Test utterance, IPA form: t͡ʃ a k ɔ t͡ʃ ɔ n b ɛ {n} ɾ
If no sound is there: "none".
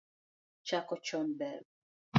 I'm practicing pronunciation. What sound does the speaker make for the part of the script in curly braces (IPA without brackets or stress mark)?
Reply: none